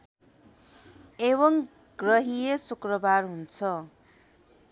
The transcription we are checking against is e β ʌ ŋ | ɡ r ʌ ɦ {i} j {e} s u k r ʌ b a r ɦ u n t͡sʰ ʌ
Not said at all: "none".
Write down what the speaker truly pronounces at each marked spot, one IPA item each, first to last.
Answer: i, e

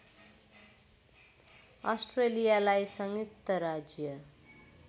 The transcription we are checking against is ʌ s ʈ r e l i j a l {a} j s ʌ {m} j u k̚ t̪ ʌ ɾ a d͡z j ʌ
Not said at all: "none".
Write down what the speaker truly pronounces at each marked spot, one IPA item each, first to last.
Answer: a, ŋ

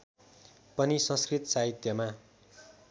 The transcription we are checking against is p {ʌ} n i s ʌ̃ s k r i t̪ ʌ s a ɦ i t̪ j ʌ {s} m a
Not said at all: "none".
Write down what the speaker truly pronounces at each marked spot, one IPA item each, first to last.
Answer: ʌ, none

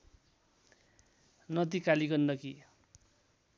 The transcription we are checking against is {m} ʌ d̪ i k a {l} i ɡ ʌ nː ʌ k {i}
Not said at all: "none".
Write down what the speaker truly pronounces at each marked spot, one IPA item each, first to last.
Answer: n, l, i

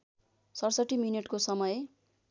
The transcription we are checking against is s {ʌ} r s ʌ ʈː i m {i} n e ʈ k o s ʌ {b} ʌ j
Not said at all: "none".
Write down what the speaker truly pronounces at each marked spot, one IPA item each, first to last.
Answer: ʌ, i, m

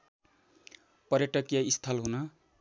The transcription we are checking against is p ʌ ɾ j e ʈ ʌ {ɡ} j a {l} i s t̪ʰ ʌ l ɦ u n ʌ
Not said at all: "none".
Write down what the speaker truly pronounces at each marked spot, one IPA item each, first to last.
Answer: k, none

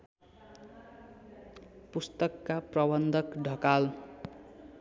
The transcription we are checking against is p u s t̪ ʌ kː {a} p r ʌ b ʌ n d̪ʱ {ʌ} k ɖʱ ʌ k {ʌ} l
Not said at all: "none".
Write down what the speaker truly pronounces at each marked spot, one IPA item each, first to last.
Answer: a, ʌ, a

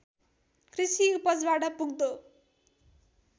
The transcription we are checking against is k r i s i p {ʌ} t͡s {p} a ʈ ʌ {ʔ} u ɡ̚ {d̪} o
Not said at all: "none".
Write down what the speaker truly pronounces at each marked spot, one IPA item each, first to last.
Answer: ʌ, b, p, d̪

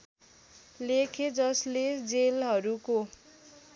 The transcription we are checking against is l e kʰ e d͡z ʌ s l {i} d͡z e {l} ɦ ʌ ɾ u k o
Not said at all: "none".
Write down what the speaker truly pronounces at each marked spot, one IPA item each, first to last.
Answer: e, l

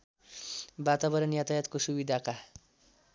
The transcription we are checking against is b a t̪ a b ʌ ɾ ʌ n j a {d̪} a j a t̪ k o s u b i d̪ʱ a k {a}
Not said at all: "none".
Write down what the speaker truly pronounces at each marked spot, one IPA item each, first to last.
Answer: t̪, a

